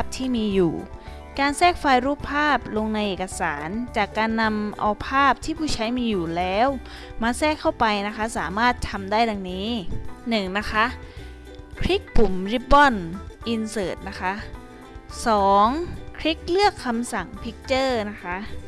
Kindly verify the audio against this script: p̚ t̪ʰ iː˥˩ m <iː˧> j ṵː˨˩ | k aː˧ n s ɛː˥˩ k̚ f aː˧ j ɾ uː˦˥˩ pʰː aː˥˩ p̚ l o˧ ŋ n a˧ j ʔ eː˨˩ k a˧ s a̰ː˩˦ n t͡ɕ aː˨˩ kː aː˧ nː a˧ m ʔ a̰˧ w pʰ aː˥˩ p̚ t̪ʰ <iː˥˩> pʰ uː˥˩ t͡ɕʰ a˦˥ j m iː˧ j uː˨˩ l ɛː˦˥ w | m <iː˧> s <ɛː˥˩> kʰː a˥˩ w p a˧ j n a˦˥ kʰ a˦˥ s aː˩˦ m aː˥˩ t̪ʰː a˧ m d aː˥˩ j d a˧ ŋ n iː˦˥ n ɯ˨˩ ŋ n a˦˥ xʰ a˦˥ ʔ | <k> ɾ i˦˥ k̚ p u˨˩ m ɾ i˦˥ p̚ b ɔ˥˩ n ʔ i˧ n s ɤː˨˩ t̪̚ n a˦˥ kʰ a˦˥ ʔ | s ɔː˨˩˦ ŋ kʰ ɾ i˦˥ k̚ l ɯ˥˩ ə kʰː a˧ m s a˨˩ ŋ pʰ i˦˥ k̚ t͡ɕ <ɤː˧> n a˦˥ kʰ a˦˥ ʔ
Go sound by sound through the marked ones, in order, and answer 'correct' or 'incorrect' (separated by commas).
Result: correct, correct, incorrect, correct, incorrect, incorrect